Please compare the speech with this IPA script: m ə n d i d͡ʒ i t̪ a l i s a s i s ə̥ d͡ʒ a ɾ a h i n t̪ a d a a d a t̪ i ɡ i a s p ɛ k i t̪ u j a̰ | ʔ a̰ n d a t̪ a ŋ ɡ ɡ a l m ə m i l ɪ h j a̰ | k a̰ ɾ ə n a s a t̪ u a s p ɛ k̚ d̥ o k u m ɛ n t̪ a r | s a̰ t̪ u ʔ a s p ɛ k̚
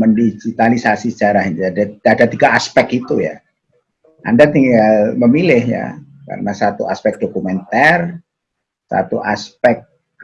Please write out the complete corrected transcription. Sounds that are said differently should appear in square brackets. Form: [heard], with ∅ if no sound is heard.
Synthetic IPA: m ə n d i d͡ʒ i t̪ a l i s a s i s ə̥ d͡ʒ a ɾ a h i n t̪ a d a a d a t̪ i ɡ [a] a s p ɛ k i t̪ u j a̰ | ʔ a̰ n d a t̪ [i] ŋ ɡ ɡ a l m ə m i l ɪ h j a̰ | k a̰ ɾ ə n a s a t̪ u a s p ɛ k̚ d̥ o k u m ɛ n t̪ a r | s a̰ t̪ u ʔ a s p ɛ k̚